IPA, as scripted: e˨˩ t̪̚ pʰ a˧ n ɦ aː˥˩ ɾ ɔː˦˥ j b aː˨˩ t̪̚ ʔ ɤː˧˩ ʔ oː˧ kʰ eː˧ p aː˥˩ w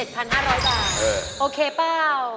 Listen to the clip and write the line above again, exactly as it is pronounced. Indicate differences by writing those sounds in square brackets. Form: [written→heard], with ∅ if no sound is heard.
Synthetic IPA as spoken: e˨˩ t̪̚ pʰ a˧ n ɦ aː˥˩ ɾ ɔː˦˥ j b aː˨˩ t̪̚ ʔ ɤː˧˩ ʔ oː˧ kʰ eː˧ p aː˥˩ w